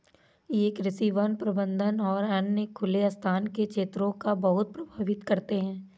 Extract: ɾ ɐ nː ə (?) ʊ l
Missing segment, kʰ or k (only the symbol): kʰ